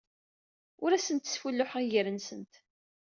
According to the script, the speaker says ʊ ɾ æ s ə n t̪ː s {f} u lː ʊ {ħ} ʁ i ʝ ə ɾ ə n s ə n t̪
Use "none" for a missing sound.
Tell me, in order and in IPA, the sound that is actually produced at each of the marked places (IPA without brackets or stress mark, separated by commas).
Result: f, ħ